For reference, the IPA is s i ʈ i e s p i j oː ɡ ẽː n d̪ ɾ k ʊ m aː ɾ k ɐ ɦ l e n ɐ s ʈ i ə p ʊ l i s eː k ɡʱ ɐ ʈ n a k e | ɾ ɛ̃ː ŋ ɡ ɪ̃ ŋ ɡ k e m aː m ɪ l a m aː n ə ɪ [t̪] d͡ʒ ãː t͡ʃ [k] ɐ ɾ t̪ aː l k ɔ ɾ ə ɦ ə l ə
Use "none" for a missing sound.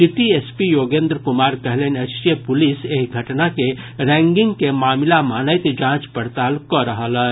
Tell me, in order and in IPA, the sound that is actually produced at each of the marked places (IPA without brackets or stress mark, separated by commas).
t̪, p